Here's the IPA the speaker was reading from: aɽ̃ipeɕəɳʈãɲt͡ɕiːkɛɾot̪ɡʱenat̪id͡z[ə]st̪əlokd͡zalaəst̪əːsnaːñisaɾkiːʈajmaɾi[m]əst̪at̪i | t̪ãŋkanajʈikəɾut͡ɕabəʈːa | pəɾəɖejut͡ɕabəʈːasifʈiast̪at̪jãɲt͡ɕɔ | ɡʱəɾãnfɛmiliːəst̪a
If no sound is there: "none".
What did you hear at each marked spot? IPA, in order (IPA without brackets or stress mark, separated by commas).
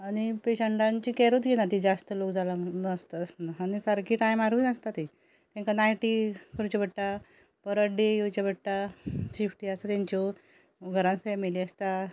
a, n